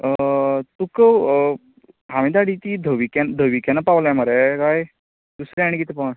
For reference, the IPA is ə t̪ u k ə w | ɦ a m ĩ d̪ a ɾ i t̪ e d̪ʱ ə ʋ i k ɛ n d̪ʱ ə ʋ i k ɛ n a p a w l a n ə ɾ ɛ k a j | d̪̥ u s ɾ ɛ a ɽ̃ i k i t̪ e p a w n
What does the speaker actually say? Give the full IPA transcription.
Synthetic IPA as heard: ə t̪ u k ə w | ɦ a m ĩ d̪ a ɽ i t̪ i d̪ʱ ə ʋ i k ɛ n d̪ʱ ə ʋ i k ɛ n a p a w l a m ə ɾ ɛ k a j | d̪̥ u s ɾ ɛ a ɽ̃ i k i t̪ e p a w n